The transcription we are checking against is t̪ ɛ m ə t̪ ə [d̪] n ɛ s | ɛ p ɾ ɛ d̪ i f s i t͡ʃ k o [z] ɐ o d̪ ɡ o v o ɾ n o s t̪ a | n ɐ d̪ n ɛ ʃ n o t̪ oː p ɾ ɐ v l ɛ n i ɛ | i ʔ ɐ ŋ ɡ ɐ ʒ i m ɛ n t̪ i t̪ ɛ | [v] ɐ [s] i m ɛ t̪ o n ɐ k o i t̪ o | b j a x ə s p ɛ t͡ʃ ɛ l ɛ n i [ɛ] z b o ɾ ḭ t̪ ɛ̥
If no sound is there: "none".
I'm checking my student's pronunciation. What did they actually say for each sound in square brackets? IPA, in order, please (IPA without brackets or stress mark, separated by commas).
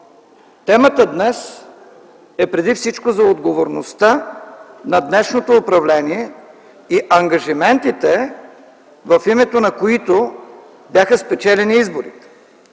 d̪, z, v, f, i